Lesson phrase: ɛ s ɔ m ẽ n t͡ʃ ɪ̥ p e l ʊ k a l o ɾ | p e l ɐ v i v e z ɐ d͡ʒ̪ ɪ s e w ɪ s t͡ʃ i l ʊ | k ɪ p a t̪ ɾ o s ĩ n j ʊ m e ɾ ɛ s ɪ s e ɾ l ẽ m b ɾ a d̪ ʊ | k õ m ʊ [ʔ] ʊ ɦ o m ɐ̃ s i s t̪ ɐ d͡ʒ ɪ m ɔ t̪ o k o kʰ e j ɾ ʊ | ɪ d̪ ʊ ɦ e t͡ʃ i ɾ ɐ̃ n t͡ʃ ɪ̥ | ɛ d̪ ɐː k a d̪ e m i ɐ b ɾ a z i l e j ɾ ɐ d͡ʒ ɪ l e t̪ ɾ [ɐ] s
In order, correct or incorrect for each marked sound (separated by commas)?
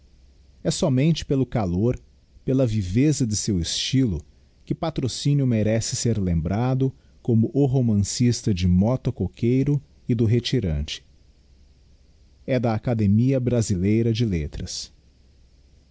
correct, correct